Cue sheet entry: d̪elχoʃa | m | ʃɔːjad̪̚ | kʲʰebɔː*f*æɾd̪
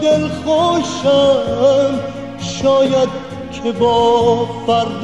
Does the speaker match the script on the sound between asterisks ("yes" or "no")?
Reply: yes